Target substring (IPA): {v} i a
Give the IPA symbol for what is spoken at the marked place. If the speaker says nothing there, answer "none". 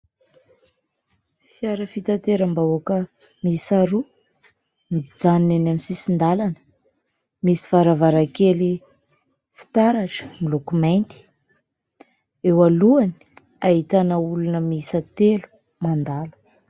f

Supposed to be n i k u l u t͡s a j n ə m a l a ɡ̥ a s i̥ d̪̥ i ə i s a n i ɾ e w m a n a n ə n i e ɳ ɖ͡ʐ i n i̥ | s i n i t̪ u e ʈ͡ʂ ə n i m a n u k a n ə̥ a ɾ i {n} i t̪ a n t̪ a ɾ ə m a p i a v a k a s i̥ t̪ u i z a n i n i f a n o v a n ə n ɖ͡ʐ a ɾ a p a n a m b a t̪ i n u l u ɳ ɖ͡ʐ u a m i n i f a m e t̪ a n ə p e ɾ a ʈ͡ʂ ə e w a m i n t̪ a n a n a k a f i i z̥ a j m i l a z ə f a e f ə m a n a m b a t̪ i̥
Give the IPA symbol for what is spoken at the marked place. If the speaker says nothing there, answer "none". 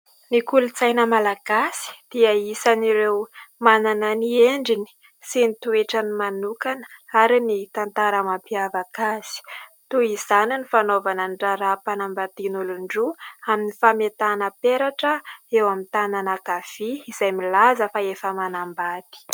n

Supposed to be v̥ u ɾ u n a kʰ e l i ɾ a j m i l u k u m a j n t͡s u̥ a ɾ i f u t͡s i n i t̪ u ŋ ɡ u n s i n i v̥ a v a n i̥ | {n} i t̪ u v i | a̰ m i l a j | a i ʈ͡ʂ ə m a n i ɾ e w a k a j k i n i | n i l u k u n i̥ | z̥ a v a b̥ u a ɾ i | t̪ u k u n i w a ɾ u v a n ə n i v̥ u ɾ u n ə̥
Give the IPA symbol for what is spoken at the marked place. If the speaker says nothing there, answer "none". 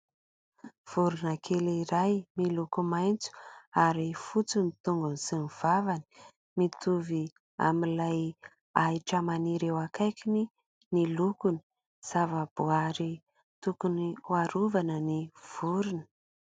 m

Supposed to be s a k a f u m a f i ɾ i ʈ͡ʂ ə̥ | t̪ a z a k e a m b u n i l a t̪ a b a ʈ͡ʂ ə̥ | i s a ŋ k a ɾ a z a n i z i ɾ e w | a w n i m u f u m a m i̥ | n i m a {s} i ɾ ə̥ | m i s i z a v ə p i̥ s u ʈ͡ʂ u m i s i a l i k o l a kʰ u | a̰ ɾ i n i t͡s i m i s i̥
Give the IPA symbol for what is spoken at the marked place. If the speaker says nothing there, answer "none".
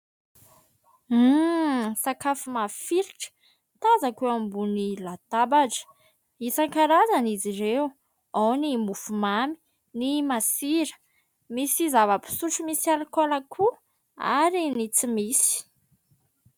s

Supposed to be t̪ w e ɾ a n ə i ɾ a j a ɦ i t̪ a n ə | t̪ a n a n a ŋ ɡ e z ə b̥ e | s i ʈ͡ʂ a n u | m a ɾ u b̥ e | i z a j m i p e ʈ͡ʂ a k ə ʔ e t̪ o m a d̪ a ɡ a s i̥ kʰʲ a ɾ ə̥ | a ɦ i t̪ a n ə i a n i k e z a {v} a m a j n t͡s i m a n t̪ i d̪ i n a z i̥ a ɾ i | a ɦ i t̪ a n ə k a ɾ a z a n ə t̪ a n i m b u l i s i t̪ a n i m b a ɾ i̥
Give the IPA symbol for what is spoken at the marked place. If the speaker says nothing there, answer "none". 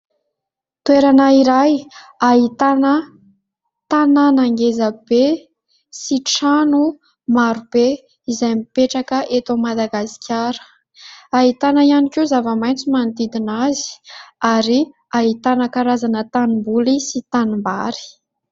v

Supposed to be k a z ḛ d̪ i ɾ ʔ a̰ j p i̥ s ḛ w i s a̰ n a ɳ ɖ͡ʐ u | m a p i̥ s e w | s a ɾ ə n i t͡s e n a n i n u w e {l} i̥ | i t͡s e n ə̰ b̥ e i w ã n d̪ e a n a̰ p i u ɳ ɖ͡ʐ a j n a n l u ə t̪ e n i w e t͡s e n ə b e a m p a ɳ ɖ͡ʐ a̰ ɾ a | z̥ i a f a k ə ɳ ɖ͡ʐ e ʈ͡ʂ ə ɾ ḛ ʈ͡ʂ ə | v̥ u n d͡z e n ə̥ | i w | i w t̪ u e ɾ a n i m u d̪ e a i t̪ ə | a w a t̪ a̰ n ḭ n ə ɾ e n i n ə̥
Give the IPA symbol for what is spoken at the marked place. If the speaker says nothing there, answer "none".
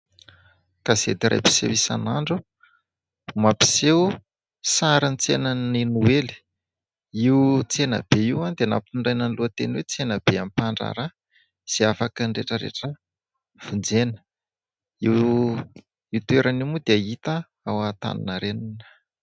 l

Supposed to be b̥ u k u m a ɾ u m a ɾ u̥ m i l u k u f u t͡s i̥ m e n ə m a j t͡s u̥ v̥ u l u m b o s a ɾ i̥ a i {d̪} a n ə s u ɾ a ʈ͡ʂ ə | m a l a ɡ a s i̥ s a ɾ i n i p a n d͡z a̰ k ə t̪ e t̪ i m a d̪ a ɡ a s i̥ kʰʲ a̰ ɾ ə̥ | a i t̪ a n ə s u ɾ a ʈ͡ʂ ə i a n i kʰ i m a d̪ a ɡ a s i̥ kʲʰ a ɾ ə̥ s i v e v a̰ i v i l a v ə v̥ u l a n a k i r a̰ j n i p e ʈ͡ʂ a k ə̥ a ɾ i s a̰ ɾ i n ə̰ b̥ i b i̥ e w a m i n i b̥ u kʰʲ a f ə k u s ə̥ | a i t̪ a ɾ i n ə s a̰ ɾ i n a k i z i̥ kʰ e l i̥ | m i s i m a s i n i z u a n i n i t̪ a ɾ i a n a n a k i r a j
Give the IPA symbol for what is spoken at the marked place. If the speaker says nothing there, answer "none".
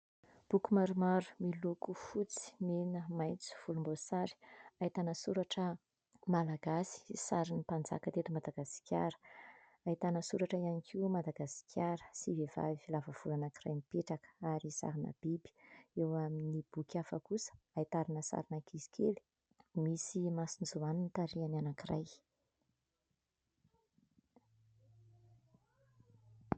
t̪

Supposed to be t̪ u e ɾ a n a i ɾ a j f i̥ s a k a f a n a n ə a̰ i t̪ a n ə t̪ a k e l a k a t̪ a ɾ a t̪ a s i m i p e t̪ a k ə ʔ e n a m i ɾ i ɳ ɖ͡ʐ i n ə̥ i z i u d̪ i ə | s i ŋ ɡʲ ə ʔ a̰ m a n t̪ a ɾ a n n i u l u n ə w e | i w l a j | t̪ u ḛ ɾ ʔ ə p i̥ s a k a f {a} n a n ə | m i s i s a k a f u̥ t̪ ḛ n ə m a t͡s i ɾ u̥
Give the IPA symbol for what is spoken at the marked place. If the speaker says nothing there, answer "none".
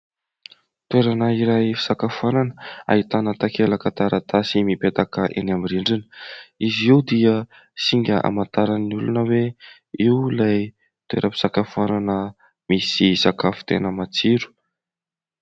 a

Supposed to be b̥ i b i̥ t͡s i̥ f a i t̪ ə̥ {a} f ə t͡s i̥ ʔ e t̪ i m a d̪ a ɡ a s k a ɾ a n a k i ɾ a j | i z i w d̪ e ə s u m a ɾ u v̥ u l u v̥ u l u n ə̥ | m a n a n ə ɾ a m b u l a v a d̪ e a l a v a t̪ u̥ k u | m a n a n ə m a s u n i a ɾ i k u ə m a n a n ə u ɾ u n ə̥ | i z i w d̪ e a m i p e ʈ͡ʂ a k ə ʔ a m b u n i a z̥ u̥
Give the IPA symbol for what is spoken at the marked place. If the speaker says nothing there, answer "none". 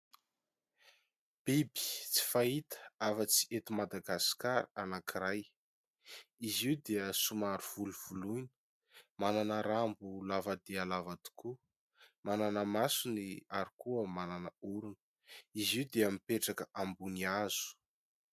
a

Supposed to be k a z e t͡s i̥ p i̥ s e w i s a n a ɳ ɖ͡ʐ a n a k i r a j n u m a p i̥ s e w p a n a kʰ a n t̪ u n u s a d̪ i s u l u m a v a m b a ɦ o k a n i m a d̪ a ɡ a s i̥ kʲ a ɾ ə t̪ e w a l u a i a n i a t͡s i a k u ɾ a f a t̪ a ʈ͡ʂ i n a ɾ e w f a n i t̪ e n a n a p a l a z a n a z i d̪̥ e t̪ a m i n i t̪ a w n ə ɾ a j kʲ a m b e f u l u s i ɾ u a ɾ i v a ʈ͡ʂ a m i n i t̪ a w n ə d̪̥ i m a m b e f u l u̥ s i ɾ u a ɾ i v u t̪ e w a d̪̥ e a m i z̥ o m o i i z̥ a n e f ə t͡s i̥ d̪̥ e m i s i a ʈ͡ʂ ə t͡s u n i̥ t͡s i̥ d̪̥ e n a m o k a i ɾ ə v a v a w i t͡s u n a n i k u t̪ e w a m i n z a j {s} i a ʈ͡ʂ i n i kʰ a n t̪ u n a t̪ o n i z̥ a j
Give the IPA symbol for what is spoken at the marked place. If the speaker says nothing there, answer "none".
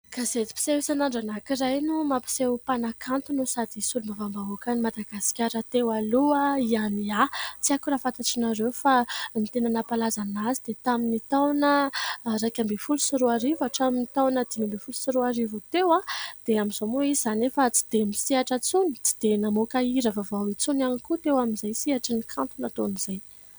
s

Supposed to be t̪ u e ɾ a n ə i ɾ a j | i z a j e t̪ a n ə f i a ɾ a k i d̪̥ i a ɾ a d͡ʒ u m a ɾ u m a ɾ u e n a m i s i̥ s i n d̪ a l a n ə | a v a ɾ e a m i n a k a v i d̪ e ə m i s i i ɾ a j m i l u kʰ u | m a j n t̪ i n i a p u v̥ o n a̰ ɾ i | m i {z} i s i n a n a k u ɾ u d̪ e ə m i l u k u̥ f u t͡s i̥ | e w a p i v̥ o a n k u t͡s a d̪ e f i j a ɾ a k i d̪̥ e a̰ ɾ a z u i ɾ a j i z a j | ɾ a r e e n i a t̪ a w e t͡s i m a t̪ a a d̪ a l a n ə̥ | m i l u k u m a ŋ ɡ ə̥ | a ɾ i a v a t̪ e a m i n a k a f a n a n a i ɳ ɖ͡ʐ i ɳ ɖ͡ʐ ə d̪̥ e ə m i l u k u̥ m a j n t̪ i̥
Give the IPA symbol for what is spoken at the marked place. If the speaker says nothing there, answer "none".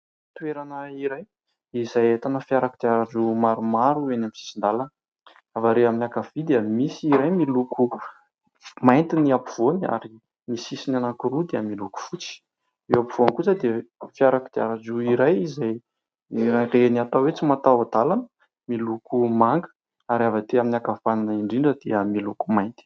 s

